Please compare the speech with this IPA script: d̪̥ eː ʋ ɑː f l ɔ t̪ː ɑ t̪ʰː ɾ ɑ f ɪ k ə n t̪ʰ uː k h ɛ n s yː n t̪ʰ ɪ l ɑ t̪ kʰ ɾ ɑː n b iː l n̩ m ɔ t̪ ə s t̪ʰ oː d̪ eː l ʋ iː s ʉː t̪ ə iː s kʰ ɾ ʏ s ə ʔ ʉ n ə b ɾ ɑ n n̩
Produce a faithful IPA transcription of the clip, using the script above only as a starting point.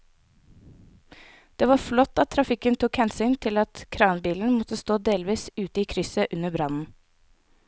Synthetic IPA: d̪̥ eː ʋ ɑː f l ɔ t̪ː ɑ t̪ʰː ɾ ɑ f ɪ k ə n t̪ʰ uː k h ɛ n s yː n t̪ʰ ɪ l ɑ t̪ kʰ ɾ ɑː n b iː l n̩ m ɔ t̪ ə s t̪ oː d̪ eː l ʋ iː s ʉː t̪ ə iː kʰ ɾ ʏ s ə ʔ ʉ n ə b ɾ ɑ n n̩